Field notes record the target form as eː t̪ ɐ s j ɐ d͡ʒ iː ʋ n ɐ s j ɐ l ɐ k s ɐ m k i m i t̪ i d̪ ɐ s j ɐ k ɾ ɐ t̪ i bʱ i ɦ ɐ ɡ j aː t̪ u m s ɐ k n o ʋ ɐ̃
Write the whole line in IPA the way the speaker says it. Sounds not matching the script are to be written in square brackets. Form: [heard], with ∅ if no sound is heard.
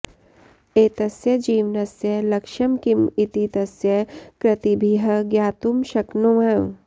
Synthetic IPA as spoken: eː t̪ ɐ s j ɐ d͡ʒ iː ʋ n ɐ s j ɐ l ɐ k [ʃ] ɐ m k i m i t̪ i [t̪] ɐ s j ɐ k ɾ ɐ t̪ i bʱ i ɦ ɐ ɡ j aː t̪ u m [ʃ] ɐ k n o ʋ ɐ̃